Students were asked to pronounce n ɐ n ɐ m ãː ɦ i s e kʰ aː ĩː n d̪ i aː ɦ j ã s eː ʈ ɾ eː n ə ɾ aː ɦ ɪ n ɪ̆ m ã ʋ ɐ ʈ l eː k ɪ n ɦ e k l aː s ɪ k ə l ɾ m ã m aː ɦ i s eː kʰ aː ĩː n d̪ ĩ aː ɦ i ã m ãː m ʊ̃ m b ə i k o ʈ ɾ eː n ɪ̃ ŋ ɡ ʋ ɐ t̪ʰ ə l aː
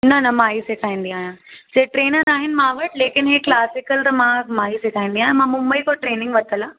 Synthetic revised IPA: n ɐ n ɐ m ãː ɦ i s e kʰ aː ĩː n d̪ i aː ɦ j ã s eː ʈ ɾ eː n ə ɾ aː ɦ ɪ n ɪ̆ m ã ʋ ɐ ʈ l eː k ɪ n ɦ e k l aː s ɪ k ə l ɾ m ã m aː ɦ i s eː kʰ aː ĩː n d̪ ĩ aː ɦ j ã m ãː m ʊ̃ m b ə i k o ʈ ɾ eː n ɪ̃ ŋ ɡ ʋ ɐ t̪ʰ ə l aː